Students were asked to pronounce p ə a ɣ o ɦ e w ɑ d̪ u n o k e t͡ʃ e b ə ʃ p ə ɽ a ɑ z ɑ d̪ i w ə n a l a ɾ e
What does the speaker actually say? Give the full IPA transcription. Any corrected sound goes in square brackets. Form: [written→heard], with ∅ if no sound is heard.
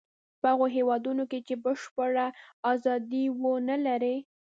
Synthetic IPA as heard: p ə a ɣ o ɦ e w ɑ d̪ u n o k e t͡ʃ e b ə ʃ p ə ɽ a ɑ z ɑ d̪ i w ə n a l a ɾ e